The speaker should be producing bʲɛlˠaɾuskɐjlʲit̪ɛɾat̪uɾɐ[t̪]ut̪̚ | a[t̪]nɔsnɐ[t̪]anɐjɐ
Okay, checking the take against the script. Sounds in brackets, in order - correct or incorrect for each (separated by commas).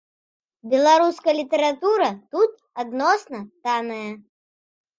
correct, incorrect, correct